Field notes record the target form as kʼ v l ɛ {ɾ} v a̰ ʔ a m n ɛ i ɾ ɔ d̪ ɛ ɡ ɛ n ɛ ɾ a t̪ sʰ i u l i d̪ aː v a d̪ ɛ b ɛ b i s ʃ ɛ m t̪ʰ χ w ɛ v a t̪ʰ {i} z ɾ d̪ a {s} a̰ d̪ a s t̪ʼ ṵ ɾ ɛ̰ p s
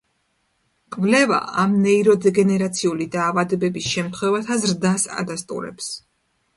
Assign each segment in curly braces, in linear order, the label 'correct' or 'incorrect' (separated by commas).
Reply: incorrect, incorrect, correct